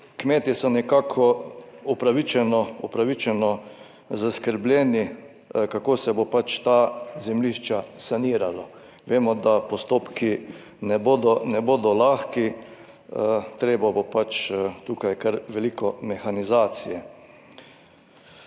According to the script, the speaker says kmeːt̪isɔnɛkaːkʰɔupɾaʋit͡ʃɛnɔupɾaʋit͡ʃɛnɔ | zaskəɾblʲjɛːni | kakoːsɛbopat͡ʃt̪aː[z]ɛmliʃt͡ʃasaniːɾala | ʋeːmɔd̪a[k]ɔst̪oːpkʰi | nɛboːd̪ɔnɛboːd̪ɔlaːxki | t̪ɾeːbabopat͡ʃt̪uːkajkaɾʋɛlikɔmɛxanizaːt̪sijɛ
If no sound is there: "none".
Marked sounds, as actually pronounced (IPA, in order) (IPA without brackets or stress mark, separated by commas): z, p